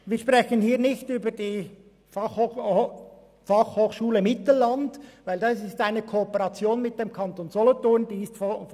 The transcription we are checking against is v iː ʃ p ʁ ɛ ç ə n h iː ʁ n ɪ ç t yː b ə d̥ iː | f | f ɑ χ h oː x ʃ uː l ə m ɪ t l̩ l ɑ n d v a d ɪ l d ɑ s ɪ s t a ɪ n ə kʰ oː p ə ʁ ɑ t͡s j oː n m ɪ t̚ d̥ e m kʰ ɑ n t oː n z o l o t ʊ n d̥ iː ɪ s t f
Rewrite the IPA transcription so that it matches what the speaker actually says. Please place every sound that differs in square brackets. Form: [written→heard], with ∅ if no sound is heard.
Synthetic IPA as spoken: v iː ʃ p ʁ ɛ ç ə n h iː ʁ n ɪ ç t yː b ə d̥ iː | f | f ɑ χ h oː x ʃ uː l ə m ɪ t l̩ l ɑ n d v a [d→∅] ɪ l d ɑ s ɪ s t a ɪ n ə kʰ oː p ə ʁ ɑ t͡s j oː n m ɪ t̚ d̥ e m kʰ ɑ n t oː n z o l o t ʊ n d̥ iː ɪ s t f